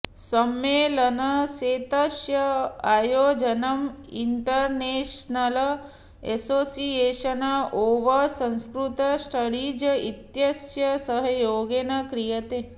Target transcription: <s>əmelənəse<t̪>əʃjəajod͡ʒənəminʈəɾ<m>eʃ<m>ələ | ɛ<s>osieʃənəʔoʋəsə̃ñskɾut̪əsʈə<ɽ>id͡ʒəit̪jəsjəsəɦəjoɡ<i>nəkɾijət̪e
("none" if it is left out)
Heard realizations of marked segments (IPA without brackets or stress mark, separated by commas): s, t̪, n, n, s, ɽ, e